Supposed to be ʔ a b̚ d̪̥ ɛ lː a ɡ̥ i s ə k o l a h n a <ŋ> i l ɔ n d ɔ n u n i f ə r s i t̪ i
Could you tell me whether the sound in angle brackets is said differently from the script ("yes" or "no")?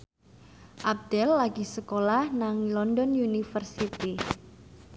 no